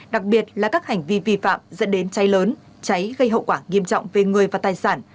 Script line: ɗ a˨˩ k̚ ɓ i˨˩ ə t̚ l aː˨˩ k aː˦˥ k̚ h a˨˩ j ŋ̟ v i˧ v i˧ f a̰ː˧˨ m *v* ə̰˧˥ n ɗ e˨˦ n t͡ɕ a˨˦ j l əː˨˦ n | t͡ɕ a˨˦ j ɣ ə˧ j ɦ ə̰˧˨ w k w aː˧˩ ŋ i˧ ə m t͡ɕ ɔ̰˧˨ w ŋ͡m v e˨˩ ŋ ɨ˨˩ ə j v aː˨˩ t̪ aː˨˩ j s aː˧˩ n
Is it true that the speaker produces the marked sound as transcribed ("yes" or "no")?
no